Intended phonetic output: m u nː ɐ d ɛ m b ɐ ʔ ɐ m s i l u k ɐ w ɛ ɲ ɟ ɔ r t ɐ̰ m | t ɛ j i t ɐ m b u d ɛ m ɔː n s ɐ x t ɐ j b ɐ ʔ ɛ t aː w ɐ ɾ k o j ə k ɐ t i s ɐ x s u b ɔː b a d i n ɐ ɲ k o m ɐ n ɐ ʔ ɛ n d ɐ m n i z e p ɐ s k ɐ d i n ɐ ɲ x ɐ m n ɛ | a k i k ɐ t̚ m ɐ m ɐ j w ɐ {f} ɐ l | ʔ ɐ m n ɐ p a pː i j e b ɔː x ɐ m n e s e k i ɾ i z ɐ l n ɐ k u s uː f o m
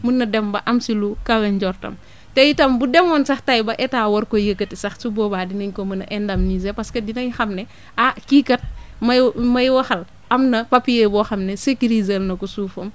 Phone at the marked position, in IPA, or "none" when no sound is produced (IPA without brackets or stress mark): x